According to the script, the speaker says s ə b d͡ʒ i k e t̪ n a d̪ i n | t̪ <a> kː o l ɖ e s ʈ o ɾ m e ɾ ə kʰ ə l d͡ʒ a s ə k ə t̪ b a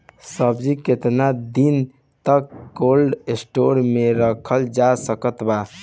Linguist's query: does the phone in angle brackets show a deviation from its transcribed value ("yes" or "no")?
yes